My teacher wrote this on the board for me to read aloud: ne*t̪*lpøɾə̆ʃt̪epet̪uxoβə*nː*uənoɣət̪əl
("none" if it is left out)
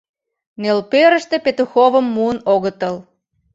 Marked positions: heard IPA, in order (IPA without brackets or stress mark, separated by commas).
none, mː